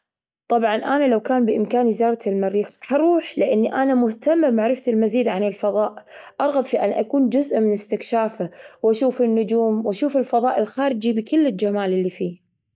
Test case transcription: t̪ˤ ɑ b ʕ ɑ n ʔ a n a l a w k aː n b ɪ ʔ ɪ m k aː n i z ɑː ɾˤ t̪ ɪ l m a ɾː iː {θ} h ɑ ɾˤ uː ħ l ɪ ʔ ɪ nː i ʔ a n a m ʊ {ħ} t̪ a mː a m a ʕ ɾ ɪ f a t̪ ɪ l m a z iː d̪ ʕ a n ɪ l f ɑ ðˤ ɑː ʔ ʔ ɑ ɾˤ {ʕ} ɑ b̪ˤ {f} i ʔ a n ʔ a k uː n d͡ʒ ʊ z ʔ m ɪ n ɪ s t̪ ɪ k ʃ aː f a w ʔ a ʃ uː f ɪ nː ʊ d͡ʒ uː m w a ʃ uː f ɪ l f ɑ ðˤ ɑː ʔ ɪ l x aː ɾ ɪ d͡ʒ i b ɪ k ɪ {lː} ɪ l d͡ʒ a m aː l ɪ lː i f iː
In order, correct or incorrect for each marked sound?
incorrect: x, incorrect: h, incorrect: ɣ, correct, correct

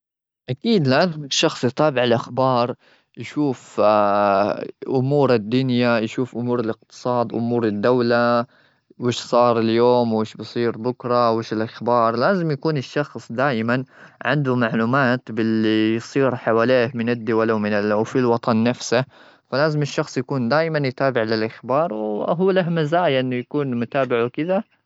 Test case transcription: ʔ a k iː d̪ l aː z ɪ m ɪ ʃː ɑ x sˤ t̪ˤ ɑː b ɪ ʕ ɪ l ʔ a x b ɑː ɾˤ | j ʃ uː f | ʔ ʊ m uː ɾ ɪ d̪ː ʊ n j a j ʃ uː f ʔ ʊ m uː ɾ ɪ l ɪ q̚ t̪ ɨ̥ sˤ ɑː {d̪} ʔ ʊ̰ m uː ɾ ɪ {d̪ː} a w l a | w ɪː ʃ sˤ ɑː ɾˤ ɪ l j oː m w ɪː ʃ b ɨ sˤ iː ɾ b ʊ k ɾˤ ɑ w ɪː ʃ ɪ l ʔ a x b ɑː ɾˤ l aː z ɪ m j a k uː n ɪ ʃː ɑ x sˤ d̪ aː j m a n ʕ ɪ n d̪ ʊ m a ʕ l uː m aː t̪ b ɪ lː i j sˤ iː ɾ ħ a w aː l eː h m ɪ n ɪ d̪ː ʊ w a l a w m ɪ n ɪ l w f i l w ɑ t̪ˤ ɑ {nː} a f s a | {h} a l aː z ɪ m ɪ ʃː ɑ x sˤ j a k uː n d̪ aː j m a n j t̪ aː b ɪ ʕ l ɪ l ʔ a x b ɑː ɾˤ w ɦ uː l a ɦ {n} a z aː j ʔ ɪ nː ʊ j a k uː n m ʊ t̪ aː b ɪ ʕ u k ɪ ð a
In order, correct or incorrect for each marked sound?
correct, correct, correct, incorrect: f, incorrect: m

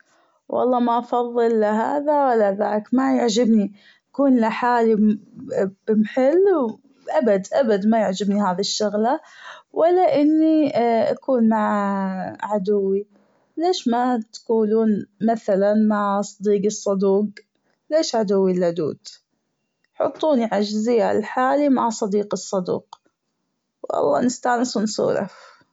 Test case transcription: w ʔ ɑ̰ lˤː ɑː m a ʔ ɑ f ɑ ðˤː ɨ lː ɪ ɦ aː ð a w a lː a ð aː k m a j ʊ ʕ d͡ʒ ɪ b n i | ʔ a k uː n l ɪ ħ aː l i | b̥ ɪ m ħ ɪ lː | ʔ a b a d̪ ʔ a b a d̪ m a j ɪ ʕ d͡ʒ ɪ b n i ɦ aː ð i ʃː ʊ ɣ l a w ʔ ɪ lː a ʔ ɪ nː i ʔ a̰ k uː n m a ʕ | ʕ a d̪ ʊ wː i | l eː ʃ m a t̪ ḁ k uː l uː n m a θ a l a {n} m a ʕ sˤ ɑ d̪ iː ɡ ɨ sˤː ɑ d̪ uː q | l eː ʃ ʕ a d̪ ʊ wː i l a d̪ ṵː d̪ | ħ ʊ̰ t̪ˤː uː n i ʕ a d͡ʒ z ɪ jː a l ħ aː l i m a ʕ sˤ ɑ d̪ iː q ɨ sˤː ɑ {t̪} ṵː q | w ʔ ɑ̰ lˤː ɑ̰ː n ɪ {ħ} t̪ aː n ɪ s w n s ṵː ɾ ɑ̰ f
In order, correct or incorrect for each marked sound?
correct, incorrect: d̪, incorrect: s

